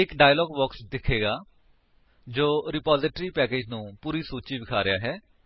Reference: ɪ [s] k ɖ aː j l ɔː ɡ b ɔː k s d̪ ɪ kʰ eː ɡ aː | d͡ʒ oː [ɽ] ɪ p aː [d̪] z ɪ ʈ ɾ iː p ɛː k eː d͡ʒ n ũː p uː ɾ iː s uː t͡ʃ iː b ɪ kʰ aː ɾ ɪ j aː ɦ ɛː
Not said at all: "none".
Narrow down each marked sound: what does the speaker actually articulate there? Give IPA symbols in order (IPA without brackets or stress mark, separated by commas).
none, ɾ, none